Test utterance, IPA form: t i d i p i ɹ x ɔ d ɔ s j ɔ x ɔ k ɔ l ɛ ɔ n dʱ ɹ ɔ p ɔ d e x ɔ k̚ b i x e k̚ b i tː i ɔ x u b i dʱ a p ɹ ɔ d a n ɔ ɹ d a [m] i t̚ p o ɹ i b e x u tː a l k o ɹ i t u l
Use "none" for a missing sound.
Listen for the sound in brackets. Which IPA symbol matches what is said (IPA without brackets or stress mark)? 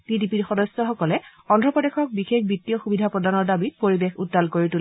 b